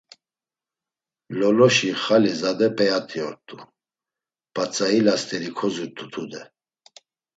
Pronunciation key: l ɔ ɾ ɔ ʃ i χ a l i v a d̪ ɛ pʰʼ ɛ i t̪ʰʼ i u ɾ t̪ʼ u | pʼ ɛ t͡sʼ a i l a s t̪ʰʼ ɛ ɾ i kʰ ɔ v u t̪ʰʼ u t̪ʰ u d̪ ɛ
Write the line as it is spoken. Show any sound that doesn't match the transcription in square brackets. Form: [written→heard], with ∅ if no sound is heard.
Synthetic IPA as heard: l ɔ [ɾ→l] ɔ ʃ i χ a l i [v→z] a d̪ ɛ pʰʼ ɛ [i→a] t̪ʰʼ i [u→ɔ] ɾ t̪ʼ u | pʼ [ɛ→a] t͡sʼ a i l a s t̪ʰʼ ɛ ɾ i kʰ ɔ [v→z] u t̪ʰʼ u t̪ʰ u d̪ ɛ